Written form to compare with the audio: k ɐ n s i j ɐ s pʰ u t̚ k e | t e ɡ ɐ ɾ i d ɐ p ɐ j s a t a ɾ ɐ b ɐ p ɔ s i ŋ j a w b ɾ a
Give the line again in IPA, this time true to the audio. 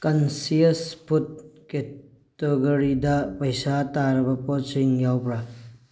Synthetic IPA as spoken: k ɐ n s i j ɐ s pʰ u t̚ k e | t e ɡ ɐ ɾ i d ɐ p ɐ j s a t a ɾ ɐ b ɐ p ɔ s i ŋ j a w b ɾ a